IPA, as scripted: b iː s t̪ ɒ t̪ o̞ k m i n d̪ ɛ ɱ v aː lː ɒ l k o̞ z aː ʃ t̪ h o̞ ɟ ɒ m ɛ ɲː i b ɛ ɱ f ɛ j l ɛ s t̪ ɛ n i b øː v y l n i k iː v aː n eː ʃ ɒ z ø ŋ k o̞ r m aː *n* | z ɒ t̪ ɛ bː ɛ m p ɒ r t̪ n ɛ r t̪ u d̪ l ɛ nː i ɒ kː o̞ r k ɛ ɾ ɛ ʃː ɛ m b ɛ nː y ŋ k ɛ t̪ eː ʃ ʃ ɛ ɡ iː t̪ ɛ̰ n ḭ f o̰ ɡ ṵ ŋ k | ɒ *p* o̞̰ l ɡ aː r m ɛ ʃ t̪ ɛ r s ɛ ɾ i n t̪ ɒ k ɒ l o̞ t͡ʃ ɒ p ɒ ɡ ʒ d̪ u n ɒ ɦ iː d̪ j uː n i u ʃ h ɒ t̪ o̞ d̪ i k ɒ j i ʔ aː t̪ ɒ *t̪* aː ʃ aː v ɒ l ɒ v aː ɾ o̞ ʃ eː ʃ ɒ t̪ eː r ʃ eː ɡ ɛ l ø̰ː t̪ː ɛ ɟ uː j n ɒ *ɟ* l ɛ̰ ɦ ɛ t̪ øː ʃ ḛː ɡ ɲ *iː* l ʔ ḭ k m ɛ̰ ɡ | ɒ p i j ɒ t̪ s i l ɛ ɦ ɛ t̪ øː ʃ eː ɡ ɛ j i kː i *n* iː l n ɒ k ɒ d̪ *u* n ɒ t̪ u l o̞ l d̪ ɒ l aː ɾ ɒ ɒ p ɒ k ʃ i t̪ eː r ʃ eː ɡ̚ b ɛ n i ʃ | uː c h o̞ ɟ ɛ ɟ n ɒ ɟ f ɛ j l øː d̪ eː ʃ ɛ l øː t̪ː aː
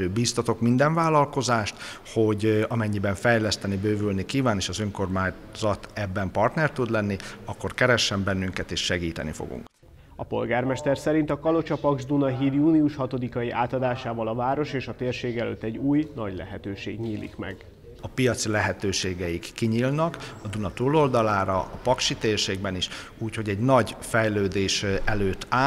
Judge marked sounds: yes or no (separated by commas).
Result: no, yes, no, yes, yes, no, yes